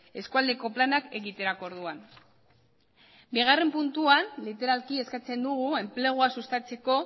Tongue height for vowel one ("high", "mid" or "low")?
mid